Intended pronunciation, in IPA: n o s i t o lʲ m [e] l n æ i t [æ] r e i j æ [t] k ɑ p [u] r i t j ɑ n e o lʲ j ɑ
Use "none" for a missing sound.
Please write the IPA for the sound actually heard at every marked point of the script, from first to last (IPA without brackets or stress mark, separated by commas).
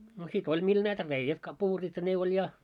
i, æ, t, uː